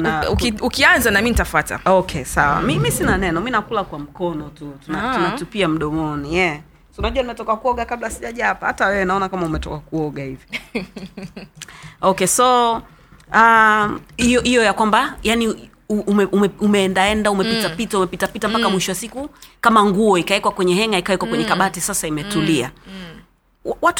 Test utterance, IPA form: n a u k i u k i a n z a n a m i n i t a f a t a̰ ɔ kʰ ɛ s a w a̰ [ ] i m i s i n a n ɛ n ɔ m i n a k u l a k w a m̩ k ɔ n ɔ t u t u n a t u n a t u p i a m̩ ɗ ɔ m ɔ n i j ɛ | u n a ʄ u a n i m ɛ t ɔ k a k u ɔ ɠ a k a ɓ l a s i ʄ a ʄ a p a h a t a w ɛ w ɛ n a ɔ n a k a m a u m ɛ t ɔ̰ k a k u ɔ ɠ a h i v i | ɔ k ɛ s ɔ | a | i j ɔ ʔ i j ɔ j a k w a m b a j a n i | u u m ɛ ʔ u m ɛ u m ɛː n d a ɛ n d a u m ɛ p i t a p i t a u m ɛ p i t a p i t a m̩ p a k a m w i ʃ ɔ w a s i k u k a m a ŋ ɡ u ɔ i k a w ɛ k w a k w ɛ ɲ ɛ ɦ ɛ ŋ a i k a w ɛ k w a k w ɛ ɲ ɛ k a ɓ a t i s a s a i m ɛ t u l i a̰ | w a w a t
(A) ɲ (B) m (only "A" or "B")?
B